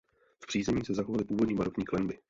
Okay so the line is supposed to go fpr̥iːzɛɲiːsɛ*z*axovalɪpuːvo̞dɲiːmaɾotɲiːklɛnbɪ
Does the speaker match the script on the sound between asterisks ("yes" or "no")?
yes